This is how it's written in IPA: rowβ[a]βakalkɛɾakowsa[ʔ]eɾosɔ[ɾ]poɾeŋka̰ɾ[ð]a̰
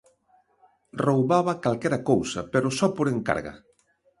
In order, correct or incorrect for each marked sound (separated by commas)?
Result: correct, incorrect, incorrect, incorrect